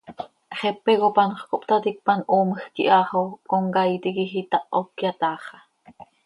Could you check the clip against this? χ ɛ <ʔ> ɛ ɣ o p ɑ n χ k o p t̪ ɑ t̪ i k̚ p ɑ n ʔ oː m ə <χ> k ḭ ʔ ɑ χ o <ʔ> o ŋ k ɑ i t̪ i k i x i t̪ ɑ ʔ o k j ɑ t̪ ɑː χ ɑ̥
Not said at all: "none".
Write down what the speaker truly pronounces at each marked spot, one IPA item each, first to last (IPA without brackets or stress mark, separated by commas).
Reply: p, x, k